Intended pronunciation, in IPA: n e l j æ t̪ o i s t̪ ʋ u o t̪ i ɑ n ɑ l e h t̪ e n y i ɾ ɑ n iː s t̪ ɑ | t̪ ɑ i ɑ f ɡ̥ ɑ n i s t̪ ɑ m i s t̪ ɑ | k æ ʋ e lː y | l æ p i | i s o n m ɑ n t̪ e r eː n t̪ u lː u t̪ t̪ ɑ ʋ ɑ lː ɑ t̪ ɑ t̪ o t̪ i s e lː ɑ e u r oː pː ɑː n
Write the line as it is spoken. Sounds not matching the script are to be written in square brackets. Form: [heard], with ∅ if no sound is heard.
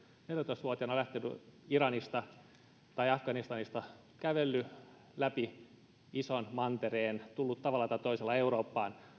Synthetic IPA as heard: n e l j æ t̪ o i s t̪ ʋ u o t̪ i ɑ n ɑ l [æ] h t̪ e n y i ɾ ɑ n [i] s t̪ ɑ | t̪ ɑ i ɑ f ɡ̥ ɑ n i s t̪ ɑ [n] i s t̪ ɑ | k æ ʋ e lː y | l æ p i | i s o n m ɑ n t̪ e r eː n t̪ u lː u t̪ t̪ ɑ ʋ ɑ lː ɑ t̪ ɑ t̪ o [∅] i s e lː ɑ e u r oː pː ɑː n